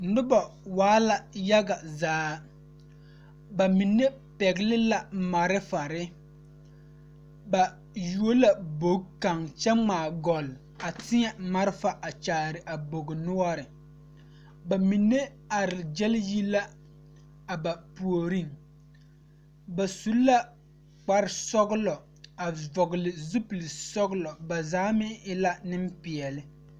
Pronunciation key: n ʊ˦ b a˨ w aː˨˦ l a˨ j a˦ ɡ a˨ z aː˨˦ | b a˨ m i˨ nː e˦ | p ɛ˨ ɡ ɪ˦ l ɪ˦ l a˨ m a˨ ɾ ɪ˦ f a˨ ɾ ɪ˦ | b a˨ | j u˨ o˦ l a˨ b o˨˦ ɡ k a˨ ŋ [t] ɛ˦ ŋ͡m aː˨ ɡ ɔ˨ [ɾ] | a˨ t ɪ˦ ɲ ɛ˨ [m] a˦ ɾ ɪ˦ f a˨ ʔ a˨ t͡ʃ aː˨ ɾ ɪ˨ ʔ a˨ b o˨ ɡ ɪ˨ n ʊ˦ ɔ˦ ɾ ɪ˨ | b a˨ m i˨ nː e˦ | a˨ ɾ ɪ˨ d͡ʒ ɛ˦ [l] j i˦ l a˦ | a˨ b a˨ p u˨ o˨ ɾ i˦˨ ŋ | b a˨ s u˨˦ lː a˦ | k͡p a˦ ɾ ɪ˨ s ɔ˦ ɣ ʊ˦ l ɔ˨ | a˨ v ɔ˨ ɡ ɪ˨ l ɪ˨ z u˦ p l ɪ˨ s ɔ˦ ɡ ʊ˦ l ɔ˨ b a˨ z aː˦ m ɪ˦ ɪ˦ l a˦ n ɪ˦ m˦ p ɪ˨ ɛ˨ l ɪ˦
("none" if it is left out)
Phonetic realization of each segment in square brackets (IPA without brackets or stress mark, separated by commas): t͡ʃ, l, m, l